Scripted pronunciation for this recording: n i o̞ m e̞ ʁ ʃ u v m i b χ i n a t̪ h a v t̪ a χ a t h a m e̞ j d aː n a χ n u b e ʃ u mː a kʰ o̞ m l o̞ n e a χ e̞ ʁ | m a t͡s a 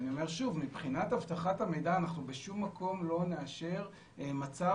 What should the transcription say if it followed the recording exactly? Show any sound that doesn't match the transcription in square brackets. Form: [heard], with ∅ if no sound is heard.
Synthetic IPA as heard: n i o̞ m e̞ ʁ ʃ u v m i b χ i n a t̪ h a v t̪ a χ a t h a m e̞ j d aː n a χ n u b e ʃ u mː a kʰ o̞ m l o̞ n e a [ʃ] e̞ ʁ | m a t͡s a